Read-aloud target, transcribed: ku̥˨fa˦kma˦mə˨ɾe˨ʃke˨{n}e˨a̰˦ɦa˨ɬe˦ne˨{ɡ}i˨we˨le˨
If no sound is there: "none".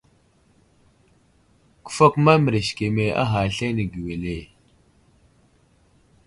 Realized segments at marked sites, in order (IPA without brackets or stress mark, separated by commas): m, ɡ